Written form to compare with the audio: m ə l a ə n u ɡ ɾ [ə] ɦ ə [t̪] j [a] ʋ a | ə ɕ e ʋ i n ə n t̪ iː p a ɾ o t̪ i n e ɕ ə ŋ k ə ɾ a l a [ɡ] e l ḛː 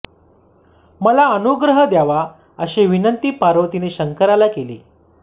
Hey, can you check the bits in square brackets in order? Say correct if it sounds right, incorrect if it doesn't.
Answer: correct, incorrect: d̪, correct, incorrect: k

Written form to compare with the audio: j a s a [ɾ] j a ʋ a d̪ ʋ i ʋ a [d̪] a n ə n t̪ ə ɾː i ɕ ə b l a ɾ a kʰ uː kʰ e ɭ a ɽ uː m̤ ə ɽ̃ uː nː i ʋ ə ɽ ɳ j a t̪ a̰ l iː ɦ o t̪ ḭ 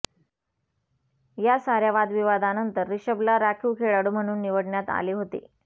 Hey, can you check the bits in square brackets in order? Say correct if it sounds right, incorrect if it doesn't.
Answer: correct, correct

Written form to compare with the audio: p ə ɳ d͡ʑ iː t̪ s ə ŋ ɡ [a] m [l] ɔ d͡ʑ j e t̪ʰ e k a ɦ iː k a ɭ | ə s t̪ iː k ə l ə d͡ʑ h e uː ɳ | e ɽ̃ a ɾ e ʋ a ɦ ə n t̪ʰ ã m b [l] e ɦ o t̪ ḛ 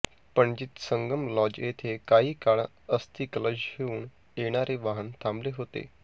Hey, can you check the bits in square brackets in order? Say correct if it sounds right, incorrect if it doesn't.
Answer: incorrect: ə, correct, correct

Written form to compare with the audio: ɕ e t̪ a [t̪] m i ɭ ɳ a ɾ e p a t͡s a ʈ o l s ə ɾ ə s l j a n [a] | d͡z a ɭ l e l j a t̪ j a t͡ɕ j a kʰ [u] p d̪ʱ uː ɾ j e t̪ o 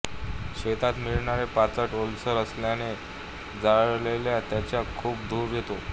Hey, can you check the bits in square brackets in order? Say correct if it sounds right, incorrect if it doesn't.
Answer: correct, incorrect: e, incorrect: uː

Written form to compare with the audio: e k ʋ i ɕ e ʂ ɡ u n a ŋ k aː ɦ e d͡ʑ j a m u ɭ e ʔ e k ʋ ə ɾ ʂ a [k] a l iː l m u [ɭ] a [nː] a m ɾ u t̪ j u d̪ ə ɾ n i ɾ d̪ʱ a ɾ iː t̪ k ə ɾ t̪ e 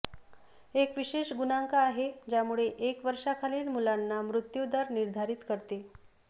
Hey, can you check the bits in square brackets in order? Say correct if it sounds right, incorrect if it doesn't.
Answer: incorrect: kʰ, incorrect: l, correct

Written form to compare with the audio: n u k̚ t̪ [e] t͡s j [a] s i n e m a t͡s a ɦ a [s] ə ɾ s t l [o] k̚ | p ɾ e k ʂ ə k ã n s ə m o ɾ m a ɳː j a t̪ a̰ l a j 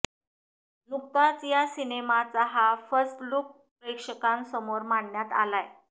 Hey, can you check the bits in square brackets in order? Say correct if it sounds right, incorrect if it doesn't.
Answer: incorrect: a, correct, incorrect: f, incorrect: u

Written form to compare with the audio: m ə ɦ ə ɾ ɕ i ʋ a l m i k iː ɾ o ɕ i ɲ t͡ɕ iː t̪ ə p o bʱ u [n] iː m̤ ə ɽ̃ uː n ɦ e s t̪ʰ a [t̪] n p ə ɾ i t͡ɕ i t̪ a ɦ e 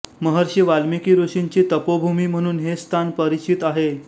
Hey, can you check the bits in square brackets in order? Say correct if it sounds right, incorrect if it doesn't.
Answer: incorrect: m, incorrect: none

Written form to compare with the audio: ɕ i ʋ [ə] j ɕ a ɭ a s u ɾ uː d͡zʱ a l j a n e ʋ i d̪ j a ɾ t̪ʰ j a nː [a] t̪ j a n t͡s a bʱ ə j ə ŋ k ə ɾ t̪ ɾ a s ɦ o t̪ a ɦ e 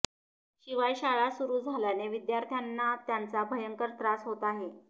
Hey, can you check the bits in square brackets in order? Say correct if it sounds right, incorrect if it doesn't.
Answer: incorrect: a, correct

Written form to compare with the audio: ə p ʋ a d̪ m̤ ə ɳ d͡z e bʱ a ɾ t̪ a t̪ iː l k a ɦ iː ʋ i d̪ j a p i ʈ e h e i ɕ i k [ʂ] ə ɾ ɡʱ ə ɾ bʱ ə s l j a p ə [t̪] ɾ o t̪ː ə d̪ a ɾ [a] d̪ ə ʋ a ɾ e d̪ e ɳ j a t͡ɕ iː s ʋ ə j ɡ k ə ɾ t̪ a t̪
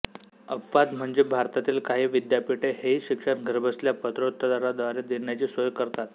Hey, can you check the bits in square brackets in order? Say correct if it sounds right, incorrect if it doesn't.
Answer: correct, correct, correct

